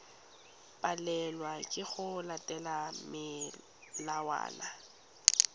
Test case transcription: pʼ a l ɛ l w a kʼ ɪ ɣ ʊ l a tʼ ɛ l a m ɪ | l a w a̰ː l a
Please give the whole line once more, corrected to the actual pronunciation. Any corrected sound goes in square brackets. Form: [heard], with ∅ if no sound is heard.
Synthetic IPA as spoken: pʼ a l ɛ l w a kʼ ɪ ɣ ʊ l a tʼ ɛ l a m ɪ | l a w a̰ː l a